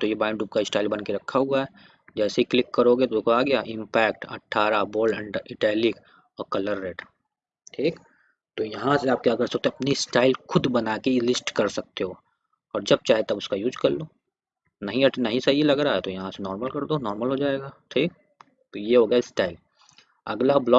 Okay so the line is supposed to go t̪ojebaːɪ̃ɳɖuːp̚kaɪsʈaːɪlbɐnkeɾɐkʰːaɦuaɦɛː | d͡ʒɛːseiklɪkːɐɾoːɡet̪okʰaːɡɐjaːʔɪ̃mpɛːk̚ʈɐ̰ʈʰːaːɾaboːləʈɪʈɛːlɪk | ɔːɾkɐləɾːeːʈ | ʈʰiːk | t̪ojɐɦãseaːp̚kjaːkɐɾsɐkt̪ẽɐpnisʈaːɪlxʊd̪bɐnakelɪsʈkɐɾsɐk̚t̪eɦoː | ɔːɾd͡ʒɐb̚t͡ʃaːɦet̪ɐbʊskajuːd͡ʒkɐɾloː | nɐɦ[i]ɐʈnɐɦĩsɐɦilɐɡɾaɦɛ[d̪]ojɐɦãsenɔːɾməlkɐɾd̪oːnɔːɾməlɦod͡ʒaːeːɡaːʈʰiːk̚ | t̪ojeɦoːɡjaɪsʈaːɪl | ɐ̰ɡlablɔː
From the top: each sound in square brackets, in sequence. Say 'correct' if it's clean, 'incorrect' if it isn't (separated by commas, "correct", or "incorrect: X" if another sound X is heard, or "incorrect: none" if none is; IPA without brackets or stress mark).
incorrect: ĩ, incorrect: t̪